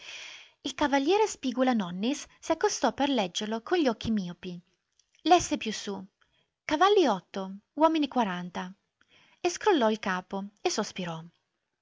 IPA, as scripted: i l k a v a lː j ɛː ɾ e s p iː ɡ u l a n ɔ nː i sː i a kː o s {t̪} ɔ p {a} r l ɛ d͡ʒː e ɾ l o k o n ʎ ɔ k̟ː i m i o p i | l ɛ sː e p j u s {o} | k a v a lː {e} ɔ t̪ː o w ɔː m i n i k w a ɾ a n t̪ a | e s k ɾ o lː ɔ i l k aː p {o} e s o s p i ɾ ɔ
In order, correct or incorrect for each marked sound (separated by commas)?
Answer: correct, incorrect, incorrect, incorrect, correct